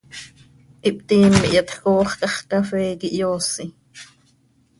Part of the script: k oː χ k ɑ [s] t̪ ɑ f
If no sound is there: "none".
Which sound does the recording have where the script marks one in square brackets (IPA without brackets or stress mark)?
χ